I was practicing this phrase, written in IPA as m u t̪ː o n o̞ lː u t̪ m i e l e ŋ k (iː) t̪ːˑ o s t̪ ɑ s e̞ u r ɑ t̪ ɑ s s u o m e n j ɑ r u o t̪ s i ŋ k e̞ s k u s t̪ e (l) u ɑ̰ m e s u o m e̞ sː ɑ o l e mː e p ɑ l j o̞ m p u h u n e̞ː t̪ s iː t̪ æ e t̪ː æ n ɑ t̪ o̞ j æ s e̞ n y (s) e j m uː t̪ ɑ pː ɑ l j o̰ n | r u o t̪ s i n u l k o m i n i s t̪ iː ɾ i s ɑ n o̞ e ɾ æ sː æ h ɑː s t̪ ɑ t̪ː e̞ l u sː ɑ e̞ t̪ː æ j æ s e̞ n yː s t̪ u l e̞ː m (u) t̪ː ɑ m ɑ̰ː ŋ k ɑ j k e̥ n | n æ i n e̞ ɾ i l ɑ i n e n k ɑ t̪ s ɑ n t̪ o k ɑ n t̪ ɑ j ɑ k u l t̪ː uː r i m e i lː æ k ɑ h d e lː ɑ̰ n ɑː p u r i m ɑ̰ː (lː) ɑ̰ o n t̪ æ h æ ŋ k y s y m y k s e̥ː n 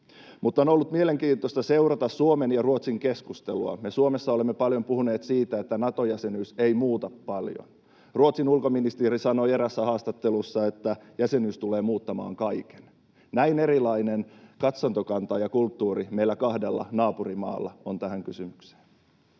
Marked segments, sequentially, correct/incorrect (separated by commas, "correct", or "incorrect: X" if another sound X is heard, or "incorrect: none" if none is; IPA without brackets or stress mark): correct, correct, correct, incorrect: uː, correct